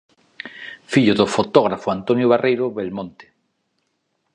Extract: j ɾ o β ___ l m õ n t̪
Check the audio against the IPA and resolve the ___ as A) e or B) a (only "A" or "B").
A